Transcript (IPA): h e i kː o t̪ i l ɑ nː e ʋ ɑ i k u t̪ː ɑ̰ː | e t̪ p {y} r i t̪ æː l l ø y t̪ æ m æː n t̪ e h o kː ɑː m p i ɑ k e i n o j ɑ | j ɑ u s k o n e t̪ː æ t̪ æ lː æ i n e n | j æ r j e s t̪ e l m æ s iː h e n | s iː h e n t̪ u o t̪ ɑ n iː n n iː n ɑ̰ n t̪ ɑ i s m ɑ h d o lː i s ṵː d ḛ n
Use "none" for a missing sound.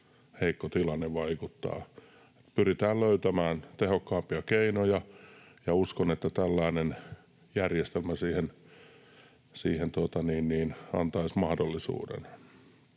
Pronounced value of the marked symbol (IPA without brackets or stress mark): y